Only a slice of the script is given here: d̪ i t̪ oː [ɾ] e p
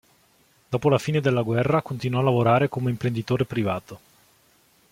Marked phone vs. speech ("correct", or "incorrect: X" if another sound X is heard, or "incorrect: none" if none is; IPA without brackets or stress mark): correct